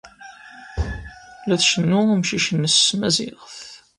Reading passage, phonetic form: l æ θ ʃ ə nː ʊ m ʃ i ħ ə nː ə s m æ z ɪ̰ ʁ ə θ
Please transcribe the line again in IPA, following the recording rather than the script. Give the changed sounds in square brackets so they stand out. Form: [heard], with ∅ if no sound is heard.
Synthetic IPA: l æ θ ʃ ə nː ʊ m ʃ i [ʃ] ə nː ə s m æ z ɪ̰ ʁ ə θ